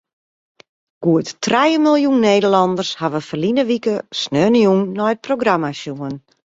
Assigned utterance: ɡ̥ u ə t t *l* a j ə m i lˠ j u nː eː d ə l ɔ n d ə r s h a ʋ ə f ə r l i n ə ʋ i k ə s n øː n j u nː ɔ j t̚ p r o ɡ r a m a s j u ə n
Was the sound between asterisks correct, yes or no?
no